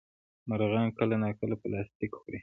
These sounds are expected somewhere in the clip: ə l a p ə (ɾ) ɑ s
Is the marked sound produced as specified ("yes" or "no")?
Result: no